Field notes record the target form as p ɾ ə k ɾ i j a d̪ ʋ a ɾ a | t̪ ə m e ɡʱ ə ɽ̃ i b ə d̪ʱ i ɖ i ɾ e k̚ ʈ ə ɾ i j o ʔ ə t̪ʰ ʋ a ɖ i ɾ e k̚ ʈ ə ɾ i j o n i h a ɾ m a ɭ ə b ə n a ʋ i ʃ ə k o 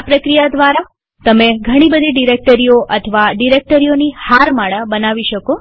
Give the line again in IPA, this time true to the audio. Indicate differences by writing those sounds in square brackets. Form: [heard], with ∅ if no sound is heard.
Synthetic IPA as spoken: p ɾ ə k ɾ i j a d̪ ʋ a ɾ a | t̪ ə m e ɡʱ ə ɽ̃ i b ə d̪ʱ i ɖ i ɾ e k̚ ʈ ə ɾ i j o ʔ ə t̪ʰ ʋ a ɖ i ɾ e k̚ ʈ ə ɾ i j o n i h a ɾ m a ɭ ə b ə n a ʋ i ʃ ə k o